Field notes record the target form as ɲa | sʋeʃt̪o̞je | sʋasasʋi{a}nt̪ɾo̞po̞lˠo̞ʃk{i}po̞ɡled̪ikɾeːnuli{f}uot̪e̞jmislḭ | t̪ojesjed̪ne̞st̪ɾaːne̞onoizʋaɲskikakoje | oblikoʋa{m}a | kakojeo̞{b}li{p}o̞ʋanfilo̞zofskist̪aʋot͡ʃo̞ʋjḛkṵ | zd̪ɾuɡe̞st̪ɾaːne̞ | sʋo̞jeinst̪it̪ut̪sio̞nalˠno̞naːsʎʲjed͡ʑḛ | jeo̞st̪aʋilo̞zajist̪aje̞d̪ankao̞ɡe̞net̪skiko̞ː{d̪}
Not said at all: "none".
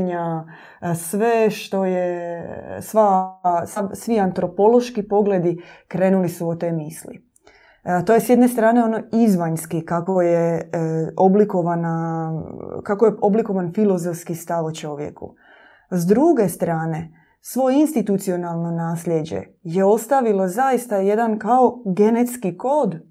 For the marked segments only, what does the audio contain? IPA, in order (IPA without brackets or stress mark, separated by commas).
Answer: a, i, s, n, b, k, d̪